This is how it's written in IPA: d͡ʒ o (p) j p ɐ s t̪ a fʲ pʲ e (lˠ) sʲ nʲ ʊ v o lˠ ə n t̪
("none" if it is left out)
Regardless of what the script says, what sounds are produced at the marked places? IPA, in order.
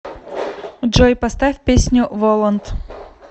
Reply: none, none

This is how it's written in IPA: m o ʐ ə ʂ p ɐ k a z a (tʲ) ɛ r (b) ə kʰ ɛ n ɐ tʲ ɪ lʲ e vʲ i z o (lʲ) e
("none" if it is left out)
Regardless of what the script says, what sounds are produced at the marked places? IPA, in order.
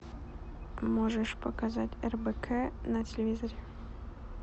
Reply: tʲ, b, ɾʲ

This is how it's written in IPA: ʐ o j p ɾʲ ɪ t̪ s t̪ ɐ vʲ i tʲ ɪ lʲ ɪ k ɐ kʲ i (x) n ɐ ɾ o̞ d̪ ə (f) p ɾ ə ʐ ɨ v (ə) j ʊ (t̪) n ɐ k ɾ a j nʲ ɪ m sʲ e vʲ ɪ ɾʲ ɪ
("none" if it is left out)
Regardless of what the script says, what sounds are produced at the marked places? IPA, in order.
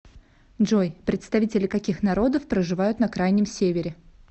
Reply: x, f, a, t̪

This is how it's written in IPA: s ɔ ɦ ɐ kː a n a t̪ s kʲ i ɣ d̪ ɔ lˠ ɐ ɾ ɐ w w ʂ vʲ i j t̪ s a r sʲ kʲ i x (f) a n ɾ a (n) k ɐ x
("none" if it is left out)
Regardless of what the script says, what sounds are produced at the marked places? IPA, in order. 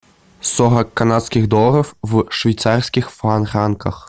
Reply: f, n

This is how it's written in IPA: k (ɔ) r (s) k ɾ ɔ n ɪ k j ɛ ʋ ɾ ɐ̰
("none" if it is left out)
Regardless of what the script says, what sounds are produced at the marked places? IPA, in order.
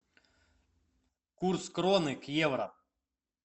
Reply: u, s

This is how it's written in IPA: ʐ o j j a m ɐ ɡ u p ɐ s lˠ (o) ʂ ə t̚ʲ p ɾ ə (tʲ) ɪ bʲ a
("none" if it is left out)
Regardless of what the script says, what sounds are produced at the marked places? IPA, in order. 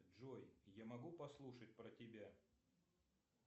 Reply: u, tʲ

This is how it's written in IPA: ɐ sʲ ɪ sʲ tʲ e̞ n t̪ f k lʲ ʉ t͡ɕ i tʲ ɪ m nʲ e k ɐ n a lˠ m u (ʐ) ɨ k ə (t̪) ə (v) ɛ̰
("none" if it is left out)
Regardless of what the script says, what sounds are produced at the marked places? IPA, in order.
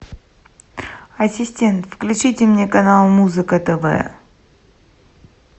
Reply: z, t̪, v

